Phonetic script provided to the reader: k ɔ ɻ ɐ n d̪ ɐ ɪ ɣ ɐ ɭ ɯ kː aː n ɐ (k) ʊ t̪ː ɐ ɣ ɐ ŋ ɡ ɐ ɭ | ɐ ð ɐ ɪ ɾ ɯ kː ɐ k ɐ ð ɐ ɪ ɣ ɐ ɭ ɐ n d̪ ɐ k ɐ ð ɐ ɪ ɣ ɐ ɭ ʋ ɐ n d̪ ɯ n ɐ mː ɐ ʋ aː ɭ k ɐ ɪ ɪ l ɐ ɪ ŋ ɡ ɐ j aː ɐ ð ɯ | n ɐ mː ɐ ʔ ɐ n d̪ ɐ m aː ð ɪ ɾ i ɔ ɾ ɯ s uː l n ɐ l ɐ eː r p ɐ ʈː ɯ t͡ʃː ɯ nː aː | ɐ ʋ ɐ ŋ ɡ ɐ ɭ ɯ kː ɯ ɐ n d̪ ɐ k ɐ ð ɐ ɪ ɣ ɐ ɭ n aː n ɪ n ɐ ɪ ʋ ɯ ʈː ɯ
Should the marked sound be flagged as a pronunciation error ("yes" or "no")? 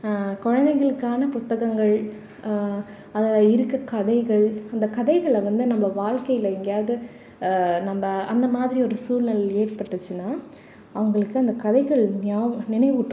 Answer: yes